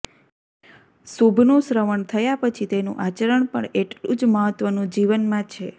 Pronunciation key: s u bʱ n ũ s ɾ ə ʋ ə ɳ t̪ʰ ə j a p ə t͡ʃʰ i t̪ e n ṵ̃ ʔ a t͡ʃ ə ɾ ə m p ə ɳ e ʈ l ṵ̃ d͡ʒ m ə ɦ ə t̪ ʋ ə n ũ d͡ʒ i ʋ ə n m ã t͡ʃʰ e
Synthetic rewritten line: s u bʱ n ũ s ɾ ə ʋ ə ɳ t̪ʰ ə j a p ə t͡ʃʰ i t̪ e n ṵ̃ ʔ a t͡ʃ ə ɾ ə ɳ p ə ɳ e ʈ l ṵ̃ d͡ʒ m ə ɦ ə t̪ ʋ ə n ũ d͡ʒ i ʋ ə n m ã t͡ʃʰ e